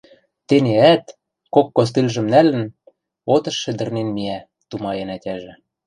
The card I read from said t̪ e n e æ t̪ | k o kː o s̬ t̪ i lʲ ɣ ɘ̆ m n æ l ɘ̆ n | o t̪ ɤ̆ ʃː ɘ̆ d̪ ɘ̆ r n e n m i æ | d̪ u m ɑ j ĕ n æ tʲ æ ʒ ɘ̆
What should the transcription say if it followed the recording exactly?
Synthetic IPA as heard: t̪ e n e æ t̪ | k o kː o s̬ t̪ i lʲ ʒ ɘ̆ m n æ l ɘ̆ n | o t̪ ɤ̆ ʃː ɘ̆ d̪ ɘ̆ r n e n m i æ | t̪ u m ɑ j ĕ n æ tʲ æ ʒ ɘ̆